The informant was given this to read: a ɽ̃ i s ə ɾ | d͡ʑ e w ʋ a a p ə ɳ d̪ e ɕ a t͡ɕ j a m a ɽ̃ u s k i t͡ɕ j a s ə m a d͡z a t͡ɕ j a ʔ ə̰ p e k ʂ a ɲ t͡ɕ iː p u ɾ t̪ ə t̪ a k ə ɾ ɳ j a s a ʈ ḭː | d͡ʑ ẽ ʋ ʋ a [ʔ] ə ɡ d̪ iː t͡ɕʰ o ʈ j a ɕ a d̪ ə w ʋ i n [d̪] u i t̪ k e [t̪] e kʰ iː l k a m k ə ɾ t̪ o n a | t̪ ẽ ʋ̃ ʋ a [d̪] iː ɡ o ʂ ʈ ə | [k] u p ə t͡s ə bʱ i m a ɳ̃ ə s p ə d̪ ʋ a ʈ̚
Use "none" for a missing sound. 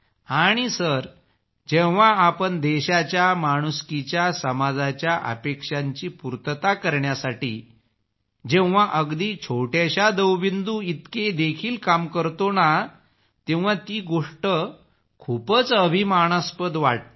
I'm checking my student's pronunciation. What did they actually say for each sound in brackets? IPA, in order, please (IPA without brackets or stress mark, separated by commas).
ʔ, d̪, d̪, t̪, kʰ